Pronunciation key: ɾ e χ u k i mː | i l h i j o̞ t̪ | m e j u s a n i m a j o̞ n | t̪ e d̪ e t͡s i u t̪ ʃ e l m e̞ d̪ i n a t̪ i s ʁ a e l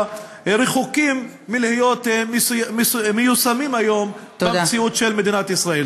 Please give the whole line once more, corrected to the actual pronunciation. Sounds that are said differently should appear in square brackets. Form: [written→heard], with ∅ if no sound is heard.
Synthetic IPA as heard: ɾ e χ u k i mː | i l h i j o̞ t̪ | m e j u s a [n→m] i m a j o̞ [n→m] | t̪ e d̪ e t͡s i u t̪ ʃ e l m e̞ d̪ i n a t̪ i s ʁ a e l